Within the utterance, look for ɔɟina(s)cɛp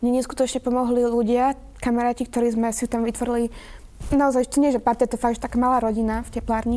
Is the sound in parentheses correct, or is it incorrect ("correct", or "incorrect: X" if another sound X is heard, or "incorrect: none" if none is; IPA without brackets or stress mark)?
incorrect: f